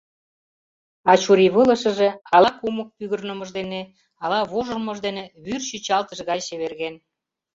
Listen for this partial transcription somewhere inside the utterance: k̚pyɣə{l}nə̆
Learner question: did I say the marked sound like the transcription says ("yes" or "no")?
no